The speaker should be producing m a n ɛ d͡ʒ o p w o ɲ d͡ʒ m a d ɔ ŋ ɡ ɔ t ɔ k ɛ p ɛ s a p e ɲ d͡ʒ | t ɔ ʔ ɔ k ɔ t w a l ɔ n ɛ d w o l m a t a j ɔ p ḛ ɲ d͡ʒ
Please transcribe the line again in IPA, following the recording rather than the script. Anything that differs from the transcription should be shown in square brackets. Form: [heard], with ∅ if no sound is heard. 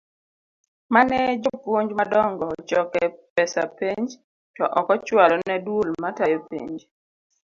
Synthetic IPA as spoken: m a n ɛ d͡ʒ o p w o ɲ d͡ʒ m a d ɔ ŋ ɡ ɔ [t͡ʃ] ɔ k ɛ p ɛ s a p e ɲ d͡ʒ | t ɔ ʔ ɔ k ɔ [t͡ʃ] w a l ɔ n ɛ d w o l m a t a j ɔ p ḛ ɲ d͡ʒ